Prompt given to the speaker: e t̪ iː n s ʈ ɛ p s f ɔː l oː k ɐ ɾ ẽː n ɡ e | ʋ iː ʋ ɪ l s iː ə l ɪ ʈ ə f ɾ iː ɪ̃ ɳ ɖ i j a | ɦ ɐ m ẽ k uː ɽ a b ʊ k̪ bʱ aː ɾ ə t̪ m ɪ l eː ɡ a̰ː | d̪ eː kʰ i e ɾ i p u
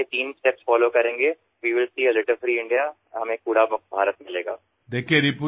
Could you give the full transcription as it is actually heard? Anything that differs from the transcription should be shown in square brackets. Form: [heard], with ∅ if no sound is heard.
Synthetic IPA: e t̪ iː n s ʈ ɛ p s f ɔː l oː k ɐ ɾ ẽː [ŋ] ɡ e | ʋ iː ʋ ɪ l s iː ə l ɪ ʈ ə f ɾ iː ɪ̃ ɳ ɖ i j a | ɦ ɐ m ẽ k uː ɽ a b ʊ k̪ bʱ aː ɾ ə t̪ m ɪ l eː ɡ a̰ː | d̪ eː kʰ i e ɾ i p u